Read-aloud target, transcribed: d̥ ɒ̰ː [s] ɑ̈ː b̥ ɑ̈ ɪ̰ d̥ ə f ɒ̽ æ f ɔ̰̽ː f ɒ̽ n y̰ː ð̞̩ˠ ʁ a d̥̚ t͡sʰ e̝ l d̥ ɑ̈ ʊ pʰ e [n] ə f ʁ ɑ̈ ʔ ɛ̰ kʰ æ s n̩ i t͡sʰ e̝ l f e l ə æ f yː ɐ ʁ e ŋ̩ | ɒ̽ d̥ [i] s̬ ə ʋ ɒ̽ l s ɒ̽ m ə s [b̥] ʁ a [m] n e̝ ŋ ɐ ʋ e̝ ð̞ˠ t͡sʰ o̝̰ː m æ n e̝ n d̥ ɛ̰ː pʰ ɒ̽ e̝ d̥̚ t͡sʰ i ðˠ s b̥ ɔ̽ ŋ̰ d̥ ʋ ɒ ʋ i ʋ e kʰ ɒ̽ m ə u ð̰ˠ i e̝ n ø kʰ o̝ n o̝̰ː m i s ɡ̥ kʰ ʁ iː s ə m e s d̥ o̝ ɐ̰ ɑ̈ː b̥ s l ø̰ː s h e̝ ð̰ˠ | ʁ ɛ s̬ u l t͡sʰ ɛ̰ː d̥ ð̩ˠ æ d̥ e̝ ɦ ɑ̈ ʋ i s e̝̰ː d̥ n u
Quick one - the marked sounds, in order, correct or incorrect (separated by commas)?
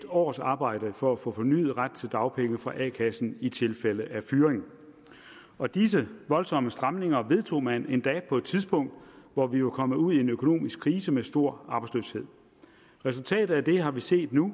correct, incorrect, correct, incorrect, correct